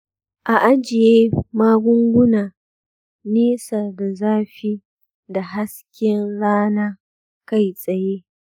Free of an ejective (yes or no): no